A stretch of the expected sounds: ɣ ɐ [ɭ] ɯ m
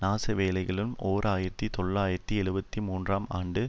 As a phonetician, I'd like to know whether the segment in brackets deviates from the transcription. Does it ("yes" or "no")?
no